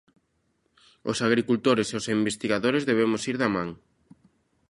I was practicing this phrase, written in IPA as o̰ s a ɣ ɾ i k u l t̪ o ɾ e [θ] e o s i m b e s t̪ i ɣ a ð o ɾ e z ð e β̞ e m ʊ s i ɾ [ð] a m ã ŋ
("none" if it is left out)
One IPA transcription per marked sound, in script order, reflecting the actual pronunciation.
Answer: s, ð

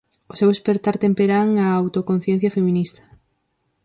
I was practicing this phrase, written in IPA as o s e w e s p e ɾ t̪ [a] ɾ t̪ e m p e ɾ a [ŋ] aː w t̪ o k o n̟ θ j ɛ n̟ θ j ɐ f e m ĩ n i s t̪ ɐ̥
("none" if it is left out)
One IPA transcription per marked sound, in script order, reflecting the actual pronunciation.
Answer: a, ŋ

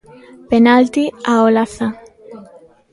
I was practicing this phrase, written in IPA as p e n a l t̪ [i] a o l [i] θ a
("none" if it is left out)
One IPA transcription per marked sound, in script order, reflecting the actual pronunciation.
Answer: i, a

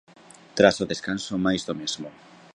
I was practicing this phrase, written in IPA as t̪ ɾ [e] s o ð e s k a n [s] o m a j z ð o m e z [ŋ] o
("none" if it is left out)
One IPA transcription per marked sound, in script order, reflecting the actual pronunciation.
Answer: a, s, m

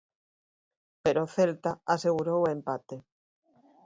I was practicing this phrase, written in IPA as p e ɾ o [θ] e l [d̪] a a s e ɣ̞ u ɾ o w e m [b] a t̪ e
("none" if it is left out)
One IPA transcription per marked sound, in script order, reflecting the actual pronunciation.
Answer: θ, t̪, p

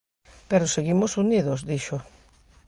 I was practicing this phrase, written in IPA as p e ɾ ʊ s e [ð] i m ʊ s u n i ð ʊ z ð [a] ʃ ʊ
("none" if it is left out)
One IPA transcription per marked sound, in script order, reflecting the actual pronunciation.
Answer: ɣ, i

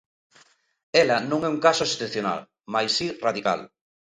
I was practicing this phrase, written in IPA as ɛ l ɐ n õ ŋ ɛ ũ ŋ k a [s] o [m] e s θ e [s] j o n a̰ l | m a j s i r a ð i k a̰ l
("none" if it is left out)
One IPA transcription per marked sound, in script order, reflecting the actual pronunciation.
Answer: s, none, θ

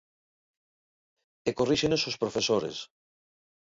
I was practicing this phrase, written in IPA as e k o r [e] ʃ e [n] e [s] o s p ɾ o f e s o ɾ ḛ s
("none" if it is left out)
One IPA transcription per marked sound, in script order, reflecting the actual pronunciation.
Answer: i, n, s

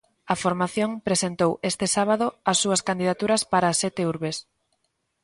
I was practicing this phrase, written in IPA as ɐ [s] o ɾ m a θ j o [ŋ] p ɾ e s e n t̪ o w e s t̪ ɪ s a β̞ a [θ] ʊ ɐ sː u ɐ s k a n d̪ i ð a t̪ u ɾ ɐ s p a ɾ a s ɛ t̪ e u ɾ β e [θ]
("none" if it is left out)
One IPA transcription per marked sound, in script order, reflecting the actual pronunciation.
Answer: f, ŋ, ð, s

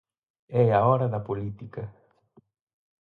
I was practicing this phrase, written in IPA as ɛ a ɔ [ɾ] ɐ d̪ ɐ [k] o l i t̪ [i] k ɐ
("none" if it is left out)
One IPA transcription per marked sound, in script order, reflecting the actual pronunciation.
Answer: ɾ, p, i

